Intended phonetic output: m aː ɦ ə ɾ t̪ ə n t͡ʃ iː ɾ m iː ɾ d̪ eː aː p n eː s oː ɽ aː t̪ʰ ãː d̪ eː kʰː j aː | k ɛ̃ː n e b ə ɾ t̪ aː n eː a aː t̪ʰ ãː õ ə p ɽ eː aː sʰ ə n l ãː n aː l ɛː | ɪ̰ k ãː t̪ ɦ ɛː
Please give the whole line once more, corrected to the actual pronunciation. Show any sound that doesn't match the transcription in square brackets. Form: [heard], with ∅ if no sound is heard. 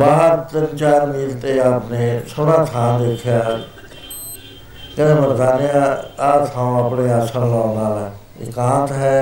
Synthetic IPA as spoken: [b] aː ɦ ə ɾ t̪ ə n t͡ʃ [aː] ɾ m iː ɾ [t̪] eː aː p n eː s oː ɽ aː t̪ʰ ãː d̪ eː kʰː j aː | k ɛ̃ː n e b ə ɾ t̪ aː n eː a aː t̪ʰ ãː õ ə p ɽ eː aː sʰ ə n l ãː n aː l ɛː | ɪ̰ k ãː t̪ ɦ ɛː